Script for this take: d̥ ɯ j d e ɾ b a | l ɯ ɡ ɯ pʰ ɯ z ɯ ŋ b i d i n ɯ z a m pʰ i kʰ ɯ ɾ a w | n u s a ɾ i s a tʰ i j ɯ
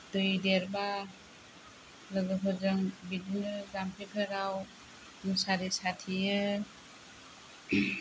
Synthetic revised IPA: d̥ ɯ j d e ɾ b a | l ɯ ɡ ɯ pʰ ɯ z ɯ ŋ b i d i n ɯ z a m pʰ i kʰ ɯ ɾ a w | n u s a ɾ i s a tʰ i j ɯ